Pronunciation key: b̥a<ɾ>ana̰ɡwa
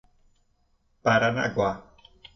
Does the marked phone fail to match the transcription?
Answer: no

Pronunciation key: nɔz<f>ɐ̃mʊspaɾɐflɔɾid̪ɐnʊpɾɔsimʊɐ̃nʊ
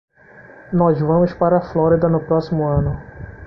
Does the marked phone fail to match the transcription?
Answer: yes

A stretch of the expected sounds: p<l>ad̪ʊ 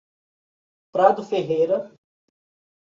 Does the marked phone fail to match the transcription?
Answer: yes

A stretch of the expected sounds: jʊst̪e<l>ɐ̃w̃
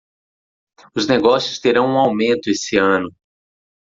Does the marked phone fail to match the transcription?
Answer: yes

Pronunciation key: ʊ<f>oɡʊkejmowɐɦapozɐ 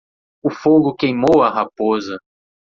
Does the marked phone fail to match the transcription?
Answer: no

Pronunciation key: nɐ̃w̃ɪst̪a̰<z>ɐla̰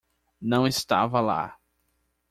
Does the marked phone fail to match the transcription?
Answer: yes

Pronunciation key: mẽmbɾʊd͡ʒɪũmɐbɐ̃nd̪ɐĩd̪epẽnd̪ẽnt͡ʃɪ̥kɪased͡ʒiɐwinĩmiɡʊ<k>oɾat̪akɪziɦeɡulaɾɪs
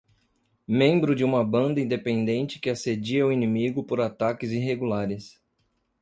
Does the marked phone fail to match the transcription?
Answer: yes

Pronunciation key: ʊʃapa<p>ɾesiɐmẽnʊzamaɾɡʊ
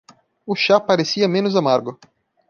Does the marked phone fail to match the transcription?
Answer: yes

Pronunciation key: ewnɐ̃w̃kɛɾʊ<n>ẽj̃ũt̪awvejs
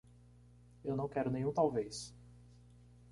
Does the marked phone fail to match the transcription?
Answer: no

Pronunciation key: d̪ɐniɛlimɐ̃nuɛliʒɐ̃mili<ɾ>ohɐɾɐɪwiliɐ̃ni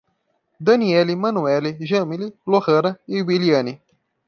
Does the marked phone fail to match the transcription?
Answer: yes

